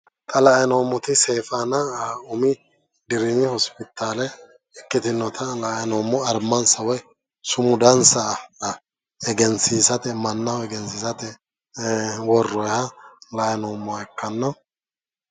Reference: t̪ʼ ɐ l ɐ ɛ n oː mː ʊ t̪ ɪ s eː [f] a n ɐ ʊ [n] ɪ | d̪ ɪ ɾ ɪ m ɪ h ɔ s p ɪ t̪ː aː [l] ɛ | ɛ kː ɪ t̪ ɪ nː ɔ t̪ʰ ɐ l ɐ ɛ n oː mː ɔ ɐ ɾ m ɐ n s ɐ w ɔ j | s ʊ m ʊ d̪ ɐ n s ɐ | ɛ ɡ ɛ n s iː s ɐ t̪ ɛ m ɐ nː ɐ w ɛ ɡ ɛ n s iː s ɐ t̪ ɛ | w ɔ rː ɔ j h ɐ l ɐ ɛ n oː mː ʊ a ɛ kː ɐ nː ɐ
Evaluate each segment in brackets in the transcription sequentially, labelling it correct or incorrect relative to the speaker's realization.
correct, incorrect, correct

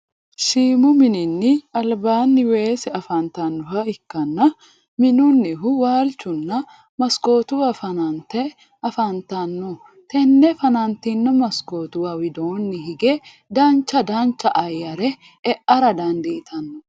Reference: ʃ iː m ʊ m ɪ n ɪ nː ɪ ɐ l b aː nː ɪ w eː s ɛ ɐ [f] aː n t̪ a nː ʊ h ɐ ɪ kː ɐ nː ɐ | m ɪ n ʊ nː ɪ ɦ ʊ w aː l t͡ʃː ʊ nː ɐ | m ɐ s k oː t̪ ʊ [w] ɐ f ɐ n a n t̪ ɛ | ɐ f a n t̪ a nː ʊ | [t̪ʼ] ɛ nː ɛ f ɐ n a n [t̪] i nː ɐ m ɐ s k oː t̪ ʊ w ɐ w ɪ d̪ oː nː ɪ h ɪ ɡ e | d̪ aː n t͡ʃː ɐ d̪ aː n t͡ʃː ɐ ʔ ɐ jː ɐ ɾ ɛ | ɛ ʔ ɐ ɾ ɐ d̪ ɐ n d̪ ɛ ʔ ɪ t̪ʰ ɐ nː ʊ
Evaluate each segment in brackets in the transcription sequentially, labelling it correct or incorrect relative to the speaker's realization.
correct, correct, incorrect, correct

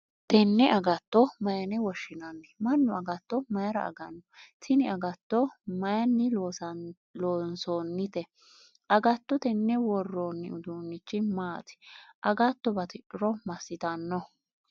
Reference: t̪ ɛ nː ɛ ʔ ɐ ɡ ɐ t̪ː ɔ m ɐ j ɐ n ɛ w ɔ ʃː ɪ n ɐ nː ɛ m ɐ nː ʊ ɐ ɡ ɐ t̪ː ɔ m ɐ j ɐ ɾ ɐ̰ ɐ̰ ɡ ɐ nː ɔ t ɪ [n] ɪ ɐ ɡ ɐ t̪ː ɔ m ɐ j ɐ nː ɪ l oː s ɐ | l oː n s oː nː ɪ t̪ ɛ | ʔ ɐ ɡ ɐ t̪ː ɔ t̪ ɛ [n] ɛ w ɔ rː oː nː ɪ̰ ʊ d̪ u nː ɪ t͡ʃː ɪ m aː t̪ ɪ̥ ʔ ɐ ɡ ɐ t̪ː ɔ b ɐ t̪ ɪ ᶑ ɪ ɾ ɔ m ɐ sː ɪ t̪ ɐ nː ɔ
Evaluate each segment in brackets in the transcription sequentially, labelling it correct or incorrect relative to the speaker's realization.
correct, incorrect

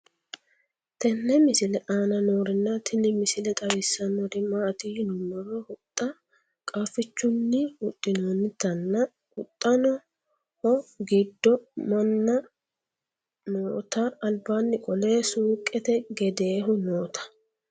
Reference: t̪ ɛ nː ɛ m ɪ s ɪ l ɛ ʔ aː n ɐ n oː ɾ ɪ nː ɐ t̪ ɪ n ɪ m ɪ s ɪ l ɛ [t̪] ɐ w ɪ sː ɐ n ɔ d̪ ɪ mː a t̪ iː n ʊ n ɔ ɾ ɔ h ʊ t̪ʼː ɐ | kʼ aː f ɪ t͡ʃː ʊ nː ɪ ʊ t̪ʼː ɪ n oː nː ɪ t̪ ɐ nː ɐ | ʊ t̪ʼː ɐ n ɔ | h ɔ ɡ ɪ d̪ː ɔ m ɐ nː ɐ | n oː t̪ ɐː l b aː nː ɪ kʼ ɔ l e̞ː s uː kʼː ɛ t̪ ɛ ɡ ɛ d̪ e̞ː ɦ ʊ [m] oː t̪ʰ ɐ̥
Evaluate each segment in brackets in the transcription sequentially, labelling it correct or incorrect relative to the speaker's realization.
incorrect, incorrect

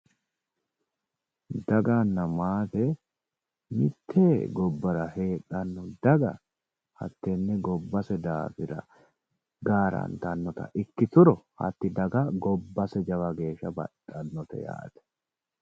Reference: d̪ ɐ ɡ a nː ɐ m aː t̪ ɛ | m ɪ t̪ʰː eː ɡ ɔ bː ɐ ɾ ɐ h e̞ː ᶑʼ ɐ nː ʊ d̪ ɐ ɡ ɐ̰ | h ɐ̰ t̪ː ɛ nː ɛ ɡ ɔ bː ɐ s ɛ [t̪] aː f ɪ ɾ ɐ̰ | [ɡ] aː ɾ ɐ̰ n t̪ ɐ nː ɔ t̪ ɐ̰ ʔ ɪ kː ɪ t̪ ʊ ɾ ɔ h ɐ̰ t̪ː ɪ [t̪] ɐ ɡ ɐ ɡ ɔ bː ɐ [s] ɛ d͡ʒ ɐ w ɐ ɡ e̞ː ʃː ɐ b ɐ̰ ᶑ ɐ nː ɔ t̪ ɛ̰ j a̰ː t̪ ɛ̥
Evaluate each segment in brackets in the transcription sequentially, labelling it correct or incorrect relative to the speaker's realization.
incorrect, correct, incorrect, correct

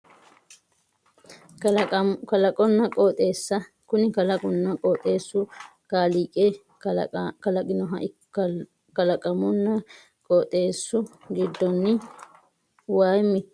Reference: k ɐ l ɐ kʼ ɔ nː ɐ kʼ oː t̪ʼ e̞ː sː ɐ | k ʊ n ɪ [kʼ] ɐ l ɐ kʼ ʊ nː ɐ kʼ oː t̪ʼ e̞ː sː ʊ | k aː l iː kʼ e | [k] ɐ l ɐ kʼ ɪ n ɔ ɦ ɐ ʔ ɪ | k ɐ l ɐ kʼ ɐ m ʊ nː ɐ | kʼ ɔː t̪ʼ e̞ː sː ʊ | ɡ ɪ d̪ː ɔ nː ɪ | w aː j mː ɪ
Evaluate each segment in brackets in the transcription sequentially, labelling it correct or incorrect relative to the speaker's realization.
incorrect, correct

